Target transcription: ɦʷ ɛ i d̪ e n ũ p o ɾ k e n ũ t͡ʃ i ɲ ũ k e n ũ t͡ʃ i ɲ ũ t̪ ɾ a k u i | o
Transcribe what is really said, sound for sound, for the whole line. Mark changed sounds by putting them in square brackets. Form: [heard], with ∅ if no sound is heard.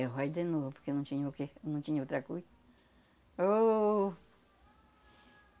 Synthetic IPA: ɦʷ [a] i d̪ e n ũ p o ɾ k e n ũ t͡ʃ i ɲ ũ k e n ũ t͡ʃ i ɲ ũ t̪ ɾ a k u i | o